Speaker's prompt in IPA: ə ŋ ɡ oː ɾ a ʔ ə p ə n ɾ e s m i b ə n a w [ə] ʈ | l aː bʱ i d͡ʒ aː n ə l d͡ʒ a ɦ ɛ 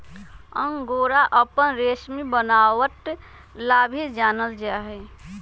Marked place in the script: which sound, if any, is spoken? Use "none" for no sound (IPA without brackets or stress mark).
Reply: ə